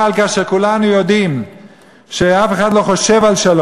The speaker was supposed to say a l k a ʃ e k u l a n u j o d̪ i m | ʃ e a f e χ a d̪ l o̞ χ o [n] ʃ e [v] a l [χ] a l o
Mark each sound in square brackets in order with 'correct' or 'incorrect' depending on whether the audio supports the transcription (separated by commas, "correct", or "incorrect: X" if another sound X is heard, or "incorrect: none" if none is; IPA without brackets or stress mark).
incorrect: none, correct, incorrect: ʃ